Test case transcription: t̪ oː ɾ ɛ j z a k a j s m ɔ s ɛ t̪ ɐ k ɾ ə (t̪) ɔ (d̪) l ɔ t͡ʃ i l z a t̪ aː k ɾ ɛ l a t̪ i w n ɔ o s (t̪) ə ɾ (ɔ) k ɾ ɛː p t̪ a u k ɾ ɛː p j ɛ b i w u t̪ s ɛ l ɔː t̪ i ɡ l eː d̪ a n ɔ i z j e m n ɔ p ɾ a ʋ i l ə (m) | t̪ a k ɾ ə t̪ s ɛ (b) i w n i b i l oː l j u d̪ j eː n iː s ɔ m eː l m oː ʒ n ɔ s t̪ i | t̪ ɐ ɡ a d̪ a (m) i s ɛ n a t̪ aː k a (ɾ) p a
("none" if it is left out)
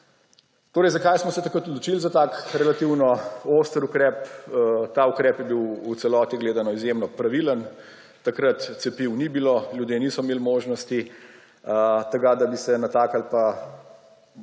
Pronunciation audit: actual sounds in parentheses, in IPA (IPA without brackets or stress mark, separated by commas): t̪, d̪, t̪, u, n, p, b, l